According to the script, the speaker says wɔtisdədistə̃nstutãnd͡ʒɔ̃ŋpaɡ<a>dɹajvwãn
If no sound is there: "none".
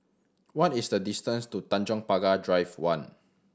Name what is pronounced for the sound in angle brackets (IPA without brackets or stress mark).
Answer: a